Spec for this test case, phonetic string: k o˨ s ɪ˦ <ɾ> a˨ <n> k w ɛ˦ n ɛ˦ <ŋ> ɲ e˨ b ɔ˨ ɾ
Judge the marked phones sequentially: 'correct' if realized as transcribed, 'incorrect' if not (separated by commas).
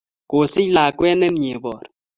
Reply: incorrect, incorrect, incorrect